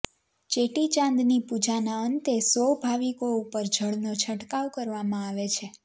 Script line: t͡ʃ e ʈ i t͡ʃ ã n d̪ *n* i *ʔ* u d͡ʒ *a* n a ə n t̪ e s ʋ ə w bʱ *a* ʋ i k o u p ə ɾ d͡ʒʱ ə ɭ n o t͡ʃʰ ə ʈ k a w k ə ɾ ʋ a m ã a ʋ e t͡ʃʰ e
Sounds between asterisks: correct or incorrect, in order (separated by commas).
correct, incorrect, correct, correct